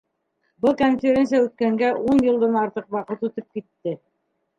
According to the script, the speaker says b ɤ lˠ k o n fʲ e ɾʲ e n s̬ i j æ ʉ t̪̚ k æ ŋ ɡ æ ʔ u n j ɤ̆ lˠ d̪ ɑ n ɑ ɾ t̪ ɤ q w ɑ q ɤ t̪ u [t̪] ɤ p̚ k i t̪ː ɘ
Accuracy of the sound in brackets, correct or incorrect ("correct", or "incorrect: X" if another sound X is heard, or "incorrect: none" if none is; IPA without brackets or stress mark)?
correct